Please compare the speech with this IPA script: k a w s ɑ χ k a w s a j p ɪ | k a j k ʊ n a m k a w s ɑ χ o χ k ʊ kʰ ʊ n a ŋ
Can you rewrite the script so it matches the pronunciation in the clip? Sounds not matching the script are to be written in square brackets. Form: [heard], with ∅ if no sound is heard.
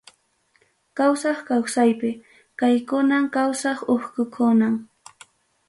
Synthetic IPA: k a w s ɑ χ k a w s a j p ɪ | k a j k ʊ n a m k a w s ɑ χ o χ k ʊ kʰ ʊ n a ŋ